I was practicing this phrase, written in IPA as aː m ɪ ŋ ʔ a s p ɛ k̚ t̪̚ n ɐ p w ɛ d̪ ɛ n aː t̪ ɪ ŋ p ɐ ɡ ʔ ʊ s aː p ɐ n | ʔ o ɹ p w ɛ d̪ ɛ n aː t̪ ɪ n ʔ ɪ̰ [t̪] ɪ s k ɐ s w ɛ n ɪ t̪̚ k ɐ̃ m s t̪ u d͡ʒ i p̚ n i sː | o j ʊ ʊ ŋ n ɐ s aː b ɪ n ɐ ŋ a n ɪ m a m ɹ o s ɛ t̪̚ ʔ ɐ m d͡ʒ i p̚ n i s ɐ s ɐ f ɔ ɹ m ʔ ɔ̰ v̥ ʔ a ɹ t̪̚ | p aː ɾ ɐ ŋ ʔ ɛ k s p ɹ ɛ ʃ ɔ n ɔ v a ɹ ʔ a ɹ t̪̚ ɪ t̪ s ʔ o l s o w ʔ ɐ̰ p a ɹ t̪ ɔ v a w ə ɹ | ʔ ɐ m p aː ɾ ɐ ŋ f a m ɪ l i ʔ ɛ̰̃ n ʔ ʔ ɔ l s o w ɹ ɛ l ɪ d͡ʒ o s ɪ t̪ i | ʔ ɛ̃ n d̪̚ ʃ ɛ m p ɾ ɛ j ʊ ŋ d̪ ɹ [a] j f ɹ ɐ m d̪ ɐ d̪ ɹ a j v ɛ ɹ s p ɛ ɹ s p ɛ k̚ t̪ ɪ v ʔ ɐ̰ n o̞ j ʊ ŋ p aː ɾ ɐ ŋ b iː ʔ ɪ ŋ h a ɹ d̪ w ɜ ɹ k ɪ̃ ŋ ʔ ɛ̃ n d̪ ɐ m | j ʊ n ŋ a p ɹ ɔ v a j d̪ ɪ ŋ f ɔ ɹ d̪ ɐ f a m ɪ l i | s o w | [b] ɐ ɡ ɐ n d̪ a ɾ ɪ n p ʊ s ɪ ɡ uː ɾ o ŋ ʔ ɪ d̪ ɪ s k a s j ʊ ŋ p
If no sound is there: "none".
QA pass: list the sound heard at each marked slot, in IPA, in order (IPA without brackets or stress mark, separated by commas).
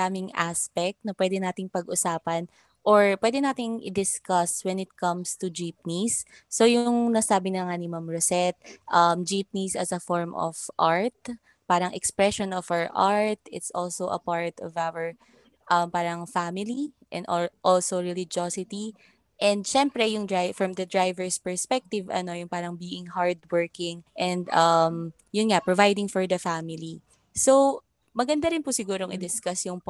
d̪, a, m